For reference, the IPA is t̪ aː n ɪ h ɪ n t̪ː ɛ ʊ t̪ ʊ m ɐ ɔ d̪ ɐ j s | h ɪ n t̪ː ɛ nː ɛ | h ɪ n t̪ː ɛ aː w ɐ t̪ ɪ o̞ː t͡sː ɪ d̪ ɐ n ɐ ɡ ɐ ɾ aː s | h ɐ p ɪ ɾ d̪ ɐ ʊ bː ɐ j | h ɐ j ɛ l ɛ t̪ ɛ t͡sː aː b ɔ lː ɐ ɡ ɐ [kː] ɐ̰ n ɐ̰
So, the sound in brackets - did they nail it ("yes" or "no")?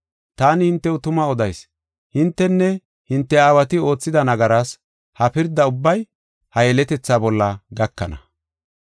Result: yes